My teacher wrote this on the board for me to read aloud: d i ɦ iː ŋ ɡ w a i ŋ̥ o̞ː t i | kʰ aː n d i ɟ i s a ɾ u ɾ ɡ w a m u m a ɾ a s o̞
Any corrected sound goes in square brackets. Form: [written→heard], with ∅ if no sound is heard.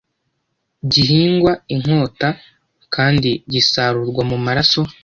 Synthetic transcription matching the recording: [d→ɟ] i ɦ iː ŋ ɡ w a i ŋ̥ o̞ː t [i→a] | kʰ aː n d i ɟ i s a ɾ u ɾ ɡ w a m u m a ɾ a s o̞